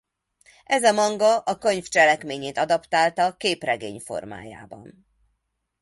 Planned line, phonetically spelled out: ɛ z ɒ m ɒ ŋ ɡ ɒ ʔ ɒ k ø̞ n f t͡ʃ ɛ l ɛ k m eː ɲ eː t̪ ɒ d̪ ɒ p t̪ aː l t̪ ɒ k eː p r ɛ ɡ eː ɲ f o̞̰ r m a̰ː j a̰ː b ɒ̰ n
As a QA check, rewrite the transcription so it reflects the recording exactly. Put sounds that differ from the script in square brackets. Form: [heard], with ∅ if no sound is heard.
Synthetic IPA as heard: ɛ z ɒ m ɒ ŋ ɡ ɒ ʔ ɒ k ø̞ [ɲ] f t͡ʃ ɛ l ɛ k m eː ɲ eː t̪ ɒ d̪ ɒ p t̪ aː l t̪ ɒ k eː p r ɛ ɡ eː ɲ f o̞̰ r m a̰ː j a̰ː b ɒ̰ n